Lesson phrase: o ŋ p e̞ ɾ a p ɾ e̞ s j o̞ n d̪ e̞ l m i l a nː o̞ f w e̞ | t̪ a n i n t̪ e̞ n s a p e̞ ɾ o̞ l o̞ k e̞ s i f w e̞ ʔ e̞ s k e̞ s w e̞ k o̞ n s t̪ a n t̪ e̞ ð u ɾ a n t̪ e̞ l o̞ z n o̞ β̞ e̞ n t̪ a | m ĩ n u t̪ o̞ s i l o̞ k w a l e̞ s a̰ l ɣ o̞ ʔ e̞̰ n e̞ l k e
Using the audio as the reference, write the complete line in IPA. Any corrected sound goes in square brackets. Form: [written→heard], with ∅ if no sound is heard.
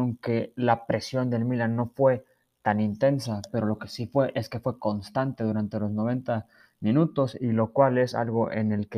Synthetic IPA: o ŋ [p→k] e̞ [ɾ→l] a p ɾ e̞ s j o̞ n d̪ e̞ l m i l a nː o̞ f w e̞ | t̪ a n i n t̪ e̞ n s a p e̞ ɾ o̞ l o̞ k e̞ s i f w e̞ ʔ e̞ s k e̞ [s→f] w e̞ k o̞ n s t̪ a n t̪ e̞ ð u ɾ a n t̪ e̞ l o̞ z n o̞ β̞ e̞ n t̪ a | m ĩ n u t̪ o̞ s i l o̞ k w a l e̞ s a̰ l ɣ o̞ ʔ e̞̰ n e̞ l k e